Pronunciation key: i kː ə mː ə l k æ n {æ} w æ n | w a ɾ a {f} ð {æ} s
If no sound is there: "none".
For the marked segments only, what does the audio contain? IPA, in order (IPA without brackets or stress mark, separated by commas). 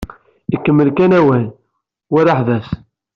æ, ħ, æ